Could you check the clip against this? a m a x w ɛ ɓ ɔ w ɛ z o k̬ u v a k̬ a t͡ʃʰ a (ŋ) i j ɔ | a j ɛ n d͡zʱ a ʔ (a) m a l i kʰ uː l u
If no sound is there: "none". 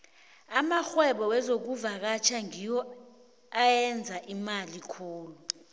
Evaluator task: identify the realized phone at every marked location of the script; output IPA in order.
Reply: ŋ, i

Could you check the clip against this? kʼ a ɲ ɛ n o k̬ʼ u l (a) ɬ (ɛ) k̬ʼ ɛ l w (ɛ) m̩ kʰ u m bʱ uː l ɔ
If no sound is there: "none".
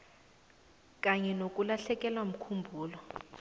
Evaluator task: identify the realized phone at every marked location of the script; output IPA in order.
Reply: a, ɛ, a

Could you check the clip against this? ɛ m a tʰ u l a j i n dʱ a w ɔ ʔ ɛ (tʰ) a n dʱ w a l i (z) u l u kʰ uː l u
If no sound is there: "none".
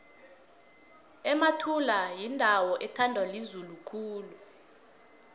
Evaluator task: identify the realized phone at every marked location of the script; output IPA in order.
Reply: tʰ, z

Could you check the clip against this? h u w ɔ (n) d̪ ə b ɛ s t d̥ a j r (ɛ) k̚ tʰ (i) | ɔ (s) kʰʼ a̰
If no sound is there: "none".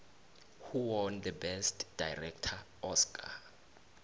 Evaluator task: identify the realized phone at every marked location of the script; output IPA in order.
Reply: n, ɛ, a, s

